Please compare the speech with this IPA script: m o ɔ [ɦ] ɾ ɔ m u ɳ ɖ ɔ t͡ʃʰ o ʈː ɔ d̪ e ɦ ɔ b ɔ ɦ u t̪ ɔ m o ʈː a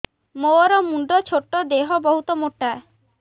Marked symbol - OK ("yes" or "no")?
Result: no